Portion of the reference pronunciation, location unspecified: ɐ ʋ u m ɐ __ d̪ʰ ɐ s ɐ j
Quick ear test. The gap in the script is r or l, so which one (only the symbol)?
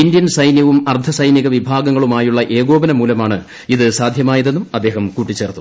r